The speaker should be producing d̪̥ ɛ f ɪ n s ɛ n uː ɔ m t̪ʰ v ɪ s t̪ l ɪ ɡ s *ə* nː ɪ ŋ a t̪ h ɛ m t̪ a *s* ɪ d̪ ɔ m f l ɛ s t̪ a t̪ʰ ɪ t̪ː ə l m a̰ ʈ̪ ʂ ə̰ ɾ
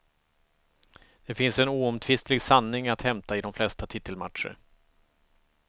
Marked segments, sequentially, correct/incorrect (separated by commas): incorrect, incorrect